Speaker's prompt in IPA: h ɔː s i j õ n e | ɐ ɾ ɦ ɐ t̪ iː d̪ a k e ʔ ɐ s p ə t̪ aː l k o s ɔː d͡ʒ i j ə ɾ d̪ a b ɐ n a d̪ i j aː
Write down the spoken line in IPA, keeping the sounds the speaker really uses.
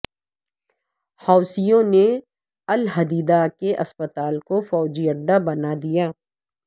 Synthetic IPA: h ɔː s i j õ n e | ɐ l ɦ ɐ d̪ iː d̪ a k e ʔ ɐ s p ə t̪ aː l k o f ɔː d͡ʒ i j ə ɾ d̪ a b ɐ n a d̪ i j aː